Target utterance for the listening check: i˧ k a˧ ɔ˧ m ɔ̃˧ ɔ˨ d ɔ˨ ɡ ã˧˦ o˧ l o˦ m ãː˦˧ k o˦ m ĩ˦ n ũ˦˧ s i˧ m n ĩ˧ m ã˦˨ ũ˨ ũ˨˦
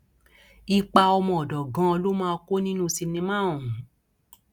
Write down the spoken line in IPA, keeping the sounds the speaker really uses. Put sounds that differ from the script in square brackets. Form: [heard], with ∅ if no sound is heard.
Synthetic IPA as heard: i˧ [k͡p] a˧ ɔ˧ m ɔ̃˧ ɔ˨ d ɔ˨ ɡ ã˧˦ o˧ l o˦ m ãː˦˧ k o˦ [n] ĩ˦ n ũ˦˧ s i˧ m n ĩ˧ m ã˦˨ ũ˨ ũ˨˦